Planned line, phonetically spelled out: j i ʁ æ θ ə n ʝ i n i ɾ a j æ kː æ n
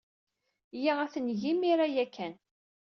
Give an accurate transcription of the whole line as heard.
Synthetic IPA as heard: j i ʁ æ θ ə n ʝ i m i ɾ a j æ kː æ n